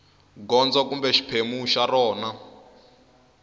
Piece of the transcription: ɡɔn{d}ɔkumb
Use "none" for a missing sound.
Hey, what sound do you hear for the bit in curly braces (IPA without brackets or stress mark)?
d͡z